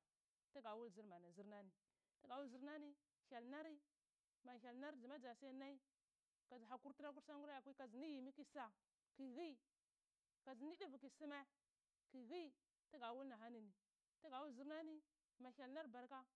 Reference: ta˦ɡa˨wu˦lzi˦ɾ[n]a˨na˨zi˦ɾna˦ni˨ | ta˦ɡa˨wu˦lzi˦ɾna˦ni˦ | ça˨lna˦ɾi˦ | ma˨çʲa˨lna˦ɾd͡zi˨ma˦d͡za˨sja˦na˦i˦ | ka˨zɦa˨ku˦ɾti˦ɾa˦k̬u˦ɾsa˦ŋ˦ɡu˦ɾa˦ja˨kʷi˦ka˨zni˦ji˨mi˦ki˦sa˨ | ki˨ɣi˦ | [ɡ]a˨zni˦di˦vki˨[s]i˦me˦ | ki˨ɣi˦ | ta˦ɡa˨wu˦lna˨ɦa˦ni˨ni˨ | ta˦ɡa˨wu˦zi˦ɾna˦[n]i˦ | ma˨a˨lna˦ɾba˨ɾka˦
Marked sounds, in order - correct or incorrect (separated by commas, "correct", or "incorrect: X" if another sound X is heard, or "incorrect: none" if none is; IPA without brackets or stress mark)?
incorrect: m, incorrect: k, correct, correct